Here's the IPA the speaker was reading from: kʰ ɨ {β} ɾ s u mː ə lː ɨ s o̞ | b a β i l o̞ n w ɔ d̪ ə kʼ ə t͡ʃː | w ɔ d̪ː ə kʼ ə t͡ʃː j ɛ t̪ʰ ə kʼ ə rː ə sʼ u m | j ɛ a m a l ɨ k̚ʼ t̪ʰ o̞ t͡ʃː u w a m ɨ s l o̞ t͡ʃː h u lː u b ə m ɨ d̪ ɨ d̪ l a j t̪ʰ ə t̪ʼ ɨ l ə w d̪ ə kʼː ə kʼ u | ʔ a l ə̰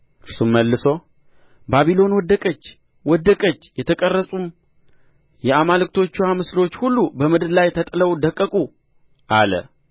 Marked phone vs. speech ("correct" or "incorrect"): incorrect